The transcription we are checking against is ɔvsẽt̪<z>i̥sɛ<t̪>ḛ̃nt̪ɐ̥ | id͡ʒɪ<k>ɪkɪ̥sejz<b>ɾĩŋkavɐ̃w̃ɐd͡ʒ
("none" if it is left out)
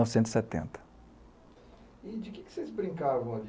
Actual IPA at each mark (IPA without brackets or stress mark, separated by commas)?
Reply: z, t̪, k, b